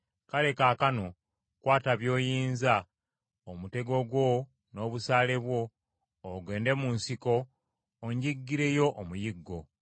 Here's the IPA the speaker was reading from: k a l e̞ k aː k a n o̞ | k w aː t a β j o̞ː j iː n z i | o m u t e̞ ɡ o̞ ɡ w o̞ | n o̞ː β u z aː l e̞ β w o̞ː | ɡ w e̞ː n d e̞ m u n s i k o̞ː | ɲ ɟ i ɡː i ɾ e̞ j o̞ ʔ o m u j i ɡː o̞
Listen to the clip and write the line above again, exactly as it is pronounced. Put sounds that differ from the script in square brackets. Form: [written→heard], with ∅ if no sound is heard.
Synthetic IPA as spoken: k a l e̞ k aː k a n o̞ | k w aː t a β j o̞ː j iː n z [i→a] | o m u t e̞ ɡ o̞ ɡ w o̞ | n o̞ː β u [z→s] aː l e̞ β w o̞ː | ɡ w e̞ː n d e̞ m u n s i k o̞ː | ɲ ɟ i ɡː i ɾ e̞ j o̞ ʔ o m u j i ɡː o̞